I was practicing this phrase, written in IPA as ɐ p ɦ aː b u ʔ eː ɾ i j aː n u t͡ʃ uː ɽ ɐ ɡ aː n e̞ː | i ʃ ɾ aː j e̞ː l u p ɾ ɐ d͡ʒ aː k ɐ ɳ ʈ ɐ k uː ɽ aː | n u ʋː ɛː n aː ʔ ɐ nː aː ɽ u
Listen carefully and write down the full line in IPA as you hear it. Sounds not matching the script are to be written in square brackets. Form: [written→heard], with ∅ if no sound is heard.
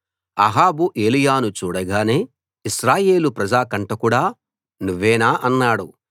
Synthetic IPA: ɐ [p→∅] ɦ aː b u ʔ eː [ɾ→l] i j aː n u t͡ʃ uː ɽ ɐ ɡ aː n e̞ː | i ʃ ɾ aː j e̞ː l u p ɾ ɐ d͡ʒ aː k ɐ ɳ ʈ ɐ k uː ɽ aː | n u ʋː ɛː n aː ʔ ɐ nː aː ɽ u

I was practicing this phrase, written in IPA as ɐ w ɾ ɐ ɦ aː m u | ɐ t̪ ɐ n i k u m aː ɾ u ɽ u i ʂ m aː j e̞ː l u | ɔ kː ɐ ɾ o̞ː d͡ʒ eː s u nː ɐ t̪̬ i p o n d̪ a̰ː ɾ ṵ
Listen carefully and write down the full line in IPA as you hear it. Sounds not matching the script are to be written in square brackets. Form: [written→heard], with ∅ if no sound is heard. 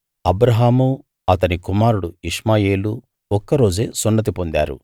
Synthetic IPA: ɐ [w→b] ɾ ɐ ɦ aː m u | ɐ t̪ ɐ n i k u m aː ɾ u ɽ u i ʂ m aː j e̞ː l u | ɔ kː ɐ ɾ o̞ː d͡ʒ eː s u nː ɐ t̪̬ i p o n d̪ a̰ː ɾ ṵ

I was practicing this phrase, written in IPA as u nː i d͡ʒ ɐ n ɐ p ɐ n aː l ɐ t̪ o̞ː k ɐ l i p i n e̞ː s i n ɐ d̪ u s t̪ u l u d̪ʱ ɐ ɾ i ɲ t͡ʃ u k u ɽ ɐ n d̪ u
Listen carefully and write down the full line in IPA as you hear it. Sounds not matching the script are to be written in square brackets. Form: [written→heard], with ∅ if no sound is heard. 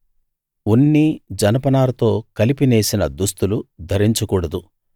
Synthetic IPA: u nː i d͡ʒ ɐ n ɐ p ɐ n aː l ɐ t̪ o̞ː k ɐ l i p i n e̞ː s i n ɐ d̪ u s t̪ u l u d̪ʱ ɐ ɾ i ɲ t͡ʃ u k [u→uː] ɽ ɐ [n→∅] d̪ u

